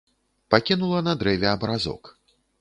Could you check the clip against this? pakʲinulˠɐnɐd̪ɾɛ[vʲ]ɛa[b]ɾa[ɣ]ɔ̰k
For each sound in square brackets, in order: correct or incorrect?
correct, correct, incorrect: z

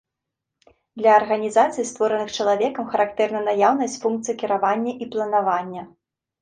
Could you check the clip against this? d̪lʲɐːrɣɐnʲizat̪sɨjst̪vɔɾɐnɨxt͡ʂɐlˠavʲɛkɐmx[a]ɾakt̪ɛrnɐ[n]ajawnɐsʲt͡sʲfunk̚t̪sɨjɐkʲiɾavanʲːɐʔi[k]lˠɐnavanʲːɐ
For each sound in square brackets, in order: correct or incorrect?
incorrect: ɐ, correct, incorrect: p

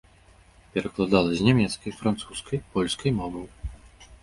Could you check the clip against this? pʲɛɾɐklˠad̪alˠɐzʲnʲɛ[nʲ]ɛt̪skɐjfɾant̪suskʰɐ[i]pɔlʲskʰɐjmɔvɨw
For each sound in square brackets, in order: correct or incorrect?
incorrect: mʲ, incorrect: j

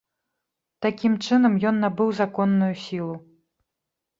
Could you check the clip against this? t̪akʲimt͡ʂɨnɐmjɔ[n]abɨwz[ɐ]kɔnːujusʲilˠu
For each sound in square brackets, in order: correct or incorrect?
incorrect: nː, incorrect: a

